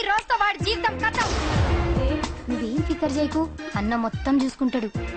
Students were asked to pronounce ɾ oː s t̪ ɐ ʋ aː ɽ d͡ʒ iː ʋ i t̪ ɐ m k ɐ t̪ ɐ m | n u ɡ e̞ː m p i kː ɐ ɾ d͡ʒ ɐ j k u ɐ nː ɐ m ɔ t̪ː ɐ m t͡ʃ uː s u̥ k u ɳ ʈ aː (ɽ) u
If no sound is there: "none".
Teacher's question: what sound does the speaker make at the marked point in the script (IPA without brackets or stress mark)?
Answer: ɽ